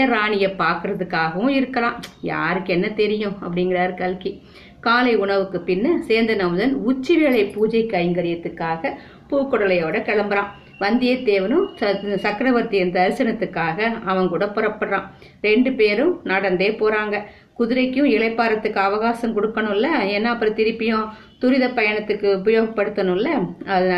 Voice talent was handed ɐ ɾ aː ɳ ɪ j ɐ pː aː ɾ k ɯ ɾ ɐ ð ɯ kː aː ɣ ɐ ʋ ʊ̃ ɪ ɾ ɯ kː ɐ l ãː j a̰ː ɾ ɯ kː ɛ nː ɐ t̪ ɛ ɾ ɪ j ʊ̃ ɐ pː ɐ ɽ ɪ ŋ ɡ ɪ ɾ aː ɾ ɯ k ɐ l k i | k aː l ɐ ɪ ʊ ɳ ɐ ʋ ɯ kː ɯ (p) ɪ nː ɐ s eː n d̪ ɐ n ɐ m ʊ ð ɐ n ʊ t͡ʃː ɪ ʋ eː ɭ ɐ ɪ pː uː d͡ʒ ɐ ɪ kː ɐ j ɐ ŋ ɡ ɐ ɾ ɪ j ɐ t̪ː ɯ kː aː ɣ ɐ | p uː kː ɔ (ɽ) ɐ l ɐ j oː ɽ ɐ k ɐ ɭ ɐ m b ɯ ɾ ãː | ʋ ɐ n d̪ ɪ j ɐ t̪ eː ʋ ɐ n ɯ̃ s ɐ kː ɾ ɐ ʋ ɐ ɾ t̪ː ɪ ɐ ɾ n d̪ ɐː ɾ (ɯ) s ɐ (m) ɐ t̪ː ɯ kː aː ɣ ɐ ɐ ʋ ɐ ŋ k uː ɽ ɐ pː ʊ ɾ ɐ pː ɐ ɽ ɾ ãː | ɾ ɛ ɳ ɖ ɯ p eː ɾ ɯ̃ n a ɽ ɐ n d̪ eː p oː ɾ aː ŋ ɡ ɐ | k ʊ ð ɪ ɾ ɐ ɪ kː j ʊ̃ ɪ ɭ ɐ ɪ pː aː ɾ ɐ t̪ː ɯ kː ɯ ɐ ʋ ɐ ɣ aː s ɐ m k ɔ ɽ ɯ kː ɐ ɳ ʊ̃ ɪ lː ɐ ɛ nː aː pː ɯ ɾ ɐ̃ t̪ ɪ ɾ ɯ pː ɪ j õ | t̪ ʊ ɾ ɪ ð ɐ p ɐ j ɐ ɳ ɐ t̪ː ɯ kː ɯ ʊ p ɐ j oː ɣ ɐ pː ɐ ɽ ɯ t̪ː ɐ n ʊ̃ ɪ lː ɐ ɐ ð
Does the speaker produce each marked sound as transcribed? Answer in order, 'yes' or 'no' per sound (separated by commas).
yes, yes, yes, no